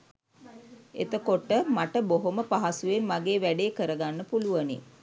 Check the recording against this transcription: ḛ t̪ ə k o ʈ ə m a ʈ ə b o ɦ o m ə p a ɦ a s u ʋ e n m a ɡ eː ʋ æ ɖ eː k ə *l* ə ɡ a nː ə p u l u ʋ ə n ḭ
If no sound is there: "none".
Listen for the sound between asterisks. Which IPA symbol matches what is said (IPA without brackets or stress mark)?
ɾ